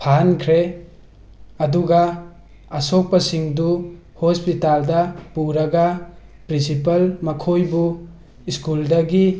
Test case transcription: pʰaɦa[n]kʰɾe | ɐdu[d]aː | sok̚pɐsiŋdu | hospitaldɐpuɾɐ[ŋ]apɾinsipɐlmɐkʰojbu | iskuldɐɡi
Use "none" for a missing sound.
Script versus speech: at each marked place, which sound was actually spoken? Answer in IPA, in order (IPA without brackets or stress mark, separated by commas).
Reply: n, ɡ, ɡ